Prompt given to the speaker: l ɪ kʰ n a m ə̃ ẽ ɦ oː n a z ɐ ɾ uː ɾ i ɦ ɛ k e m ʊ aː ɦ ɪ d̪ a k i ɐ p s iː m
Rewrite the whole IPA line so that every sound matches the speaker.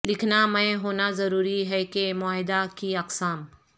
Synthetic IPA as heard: l ɪ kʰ n a m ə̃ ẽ ɦ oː n a z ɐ ɾ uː ɾ i ɦ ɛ k e m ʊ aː ɦ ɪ d̪ a k i ɐ q s aː m